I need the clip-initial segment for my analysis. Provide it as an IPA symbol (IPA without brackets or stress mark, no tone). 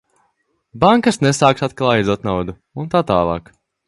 b